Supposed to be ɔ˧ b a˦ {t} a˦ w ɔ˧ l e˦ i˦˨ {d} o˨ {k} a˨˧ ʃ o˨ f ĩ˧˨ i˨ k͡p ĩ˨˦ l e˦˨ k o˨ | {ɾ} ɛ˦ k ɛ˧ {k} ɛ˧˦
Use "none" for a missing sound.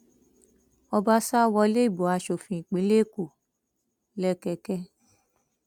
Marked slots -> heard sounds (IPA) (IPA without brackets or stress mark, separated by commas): s, b, none, l, k